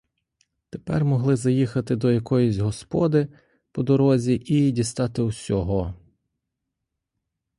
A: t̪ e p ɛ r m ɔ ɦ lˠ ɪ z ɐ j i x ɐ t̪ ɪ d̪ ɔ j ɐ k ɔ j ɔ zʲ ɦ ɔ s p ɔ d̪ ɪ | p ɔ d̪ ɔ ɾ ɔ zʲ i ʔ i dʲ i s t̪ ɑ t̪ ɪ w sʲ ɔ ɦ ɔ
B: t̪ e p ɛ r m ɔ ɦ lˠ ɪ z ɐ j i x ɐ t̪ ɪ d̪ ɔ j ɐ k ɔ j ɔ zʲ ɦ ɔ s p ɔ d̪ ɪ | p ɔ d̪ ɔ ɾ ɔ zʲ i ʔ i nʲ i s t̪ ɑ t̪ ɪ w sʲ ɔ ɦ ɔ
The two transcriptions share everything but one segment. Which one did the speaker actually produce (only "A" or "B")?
A